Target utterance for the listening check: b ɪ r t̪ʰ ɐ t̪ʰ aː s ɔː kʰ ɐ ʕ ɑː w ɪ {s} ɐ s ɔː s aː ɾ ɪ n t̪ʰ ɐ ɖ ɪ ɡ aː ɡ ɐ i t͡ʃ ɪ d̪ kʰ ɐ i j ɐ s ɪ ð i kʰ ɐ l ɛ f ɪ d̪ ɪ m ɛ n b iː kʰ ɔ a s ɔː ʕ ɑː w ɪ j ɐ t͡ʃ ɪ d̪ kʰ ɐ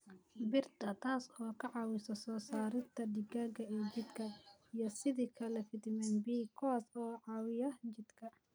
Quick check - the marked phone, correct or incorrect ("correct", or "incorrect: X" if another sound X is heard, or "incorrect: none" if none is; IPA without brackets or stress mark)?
correct